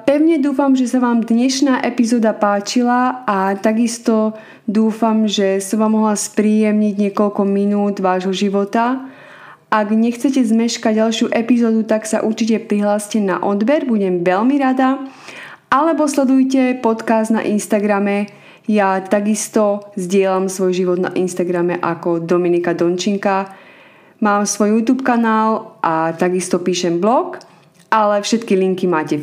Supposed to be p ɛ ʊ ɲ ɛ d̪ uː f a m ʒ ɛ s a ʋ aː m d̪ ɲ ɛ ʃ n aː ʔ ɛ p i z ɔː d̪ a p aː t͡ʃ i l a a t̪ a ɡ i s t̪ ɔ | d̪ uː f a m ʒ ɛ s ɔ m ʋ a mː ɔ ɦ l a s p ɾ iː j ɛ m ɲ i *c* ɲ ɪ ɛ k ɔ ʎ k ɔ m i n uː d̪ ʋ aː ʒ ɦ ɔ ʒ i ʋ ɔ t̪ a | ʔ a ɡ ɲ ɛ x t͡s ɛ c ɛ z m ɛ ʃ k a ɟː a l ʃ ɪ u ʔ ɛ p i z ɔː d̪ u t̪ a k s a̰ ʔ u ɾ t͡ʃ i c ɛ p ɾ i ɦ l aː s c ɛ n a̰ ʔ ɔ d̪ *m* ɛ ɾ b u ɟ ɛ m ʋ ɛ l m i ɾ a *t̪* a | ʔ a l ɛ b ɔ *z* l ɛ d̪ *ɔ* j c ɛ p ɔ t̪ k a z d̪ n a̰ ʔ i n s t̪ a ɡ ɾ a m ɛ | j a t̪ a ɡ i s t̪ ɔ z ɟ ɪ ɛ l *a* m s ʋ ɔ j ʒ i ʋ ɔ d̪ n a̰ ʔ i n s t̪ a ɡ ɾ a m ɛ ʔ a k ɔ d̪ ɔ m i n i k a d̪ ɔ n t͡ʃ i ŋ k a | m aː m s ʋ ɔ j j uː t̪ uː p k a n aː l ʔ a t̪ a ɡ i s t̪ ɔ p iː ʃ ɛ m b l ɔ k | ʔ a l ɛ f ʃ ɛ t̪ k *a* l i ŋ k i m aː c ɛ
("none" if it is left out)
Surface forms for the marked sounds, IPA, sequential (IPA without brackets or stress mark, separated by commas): ɟ, b, d̪, s, u, a, i